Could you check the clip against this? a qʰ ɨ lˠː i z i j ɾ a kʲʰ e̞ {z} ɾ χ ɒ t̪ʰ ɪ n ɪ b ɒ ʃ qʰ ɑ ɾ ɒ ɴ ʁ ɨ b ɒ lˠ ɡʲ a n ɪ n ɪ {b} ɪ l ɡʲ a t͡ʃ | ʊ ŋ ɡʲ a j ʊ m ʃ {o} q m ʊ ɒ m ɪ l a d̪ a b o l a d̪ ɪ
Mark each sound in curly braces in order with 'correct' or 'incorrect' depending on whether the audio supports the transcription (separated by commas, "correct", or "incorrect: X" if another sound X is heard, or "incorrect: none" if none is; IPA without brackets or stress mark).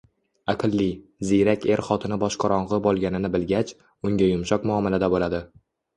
incorrect: none, correct, incorrect: ɒ